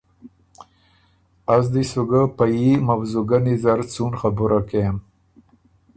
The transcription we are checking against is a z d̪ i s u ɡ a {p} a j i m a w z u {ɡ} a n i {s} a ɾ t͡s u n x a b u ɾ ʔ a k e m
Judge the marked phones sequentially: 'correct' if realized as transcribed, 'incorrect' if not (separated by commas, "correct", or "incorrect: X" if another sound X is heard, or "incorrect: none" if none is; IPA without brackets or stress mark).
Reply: correct, correct, incorrect: z